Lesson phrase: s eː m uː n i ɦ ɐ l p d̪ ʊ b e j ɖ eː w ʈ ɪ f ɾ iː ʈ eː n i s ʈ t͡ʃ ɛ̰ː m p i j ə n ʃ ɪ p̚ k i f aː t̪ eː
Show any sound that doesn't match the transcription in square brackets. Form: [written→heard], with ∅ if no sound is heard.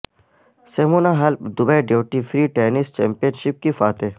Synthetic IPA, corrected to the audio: s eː m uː n [i→a] ɦ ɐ l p d̪ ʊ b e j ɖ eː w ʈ [ɪ→i] f ɾ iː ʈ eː n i s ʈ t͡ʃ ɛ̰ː m p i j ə n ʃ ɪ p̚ k i f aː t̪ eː